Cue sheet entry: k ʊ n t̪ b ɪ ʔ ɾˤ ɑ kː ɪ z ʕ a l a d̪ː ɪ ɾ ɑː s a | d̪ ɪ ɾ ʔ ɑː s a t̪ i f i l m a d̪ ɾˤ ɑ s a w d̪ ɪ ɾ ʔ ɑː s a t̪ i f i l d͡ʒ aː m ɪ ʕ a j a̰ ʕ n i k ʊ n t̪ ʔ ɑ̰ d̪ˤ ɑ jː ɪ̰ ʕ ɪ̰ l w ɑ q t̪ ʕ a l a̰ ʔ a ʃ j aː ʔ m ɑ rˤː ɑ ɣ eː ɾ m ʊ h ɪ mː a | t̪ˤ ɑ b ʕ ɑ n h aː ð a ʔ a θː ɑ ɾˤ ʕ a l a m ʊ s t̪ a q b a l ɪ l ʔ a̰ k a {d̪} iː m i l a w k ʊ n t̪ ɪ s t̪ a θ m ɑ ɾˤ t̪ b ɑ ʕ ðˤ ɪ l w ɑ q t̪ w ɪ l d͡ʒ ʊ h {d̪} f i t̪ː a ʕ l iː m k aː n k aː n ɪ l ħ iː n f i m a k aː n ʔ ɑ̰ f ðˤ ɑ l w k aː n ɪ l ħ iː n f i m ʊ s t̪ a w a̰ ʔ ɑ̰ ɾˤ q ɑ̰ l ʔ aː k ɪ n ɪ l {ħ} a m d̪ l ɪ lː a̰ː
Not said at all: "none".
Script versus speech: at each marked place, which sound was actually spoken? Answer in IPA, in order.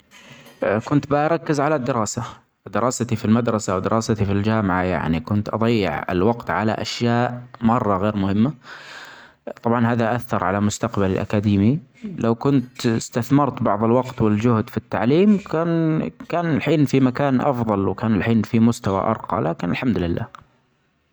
d̪, d̪, ħ

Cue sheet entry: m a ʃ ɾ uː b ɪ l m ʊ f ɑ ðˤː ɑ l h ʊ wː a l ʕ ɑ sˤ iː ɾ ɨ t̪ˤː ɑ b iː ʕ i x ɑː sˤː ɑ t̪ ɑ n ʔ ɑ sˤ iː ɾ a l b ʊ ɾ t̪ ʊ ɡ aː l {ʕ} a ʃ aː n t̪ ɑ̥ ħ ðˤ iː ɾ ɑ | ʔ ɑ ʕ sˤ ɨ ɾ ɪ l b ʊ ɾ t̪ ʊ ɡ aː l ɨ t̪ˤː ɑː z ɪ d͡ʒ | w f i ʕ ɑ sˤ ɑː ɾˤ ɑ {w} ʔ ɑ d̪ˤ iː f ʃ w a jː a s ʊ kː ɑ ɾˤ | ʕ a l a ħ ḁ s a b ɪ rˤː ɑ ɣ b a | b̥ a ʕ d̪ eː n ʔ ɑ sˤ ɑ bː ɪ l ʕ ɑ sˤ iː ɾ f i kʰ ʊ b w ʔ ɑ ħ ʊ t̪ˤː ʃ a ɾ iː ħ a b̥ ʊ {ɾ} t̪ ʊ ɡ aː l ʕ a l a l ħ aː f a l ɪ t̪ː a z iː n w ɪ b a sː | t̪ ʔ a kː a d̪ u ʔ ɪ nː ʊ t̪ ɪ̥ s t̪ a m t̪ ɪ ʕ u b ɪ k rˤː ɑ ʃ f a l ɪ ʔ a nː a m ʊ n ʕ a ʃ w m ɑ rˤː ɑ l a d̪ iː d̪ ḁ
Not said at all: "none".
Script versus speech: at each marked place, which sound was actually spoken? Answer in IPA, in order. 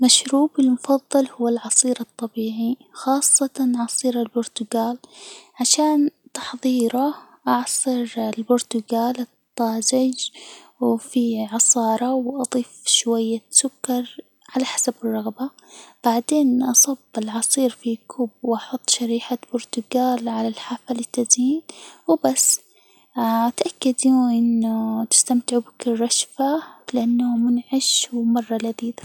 ʕ, w, ɾ

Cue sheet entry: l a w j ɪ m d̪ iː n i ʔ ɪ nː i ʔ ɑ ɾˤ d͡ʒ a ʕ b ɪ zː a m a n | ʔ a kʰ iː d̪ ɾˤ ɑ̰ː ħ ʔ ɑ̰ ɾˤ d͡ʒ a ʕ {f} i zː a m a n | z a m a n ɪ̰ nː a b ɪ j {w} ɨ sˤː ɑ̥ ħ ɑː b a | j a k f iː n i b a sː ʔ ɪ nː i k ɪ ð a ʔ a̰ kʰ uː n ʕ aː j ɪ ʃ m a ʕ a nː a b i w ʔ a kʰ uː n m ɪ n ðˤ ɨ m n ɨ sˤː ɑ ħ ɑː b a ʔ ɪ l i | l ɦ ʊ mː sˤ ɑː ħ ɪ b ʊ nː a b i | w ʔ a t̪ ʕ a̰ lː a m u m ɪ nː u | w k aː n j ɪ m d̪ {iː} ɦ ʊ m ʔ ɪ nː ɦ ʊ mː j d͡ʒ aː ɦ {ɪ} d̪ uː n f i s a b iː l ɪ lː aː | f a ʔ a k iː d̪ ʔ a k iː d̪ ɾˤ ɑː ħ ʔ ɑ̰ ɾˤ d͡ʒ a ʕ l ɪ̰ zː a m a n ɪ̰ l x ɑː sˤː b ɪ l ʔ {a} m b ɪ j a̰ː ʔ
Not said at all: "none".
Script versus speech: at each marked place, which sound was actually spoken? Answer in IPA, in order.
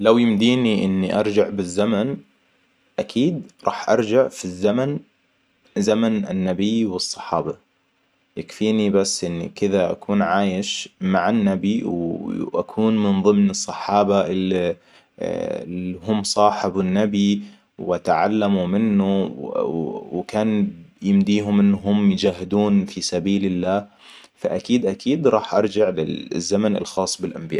f, w, iː, ɪ, a

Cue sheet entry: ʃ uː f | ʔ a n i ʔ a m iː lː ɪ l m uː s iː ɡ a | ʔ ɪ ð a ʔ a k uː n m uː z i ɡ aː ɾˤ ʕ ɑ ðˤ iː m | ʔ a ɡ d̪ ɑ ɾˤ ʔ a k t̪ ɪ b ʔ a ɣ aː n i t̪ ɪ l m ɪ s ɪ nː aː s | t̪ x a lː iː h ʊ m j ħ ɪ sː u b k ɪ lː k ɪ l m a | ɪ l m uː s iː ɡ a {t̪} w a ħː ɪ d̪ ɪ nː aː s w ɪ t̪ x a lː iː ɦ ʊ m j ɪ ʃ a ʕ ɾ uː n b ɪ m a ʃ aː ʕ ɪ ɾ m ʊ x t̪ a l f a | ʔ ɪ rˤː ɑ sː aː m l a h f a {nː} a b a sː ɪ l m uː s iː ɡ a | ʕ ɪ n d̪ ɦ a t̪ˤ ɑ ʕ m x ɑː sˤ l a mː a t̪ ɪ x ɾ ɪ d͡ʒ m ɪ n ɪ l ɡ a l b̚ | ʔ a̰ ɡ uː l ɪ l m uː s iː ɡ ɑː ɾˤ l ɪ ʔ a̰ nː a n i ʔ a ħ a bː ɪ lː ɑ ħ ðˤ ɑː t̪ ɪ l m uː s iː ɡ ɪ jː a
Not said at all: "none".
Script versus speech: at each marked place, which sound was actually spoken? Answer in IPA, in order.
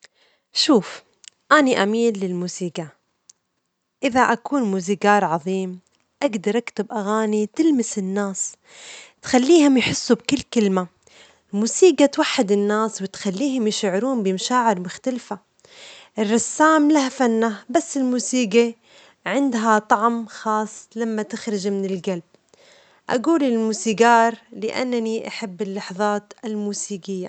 t̪, nː

